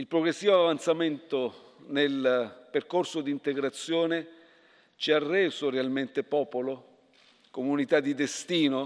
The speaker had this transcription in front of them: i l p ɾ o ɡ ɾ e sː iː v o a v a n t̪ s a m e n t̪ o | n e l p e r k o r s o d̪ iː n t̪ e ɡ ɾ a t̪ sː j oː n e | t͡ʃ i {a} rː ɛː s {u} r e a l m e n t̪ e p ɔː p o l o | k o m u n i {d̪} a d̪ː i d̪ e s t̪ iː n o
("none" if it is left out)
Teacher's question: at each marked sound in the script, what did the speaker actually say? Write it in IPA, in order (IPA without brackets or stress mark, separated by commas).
a, o, t̪